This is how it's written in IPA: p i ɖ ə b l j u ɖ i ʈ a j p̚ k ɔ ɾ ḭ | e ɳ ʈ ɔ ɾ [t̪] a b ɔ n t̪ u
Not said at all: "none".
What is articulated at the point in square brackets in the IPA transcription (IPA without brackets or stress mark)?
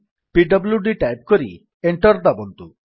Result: d̪